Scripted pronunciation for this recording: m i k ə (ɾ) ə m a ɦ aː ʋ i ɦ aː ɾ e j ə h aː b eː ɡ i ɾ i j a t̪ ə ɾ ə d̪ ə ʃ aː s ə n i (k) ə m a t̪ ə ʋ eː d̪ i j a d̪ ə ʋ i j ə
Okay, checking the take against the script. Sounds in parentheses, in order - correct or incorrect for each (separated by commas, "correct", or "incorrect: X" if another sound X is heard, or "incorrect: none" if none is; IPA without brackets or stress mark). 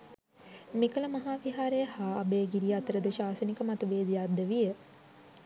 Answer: incorrect: l, correct